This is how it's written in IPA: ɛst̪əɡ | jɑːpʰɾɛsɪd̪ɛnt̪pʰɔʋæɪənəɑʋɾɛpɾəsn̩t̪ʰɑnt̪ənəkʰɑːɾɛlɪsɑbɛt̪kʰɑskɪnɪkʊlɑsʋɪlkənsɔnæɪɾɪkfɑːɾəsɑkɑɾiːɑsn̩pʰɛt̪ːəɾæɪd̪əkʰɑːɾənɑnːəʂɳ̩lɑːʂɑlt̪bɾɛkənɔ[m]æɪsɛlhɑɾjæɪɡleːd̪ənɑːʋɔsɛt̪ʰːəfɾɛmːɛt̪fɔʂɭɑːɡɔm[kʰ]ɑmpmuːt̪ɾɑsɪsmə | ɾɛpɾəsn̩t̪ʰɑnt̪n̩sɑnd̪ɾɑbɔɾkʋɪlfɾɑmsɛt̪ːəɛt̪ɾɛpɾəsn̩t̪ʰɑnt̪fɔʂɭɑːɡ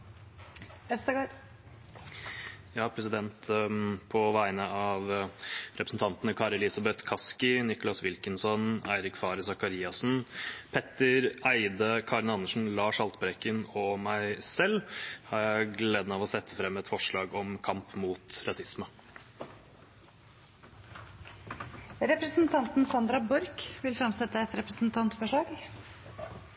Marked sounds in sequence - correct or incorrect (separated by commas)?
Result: correct, correct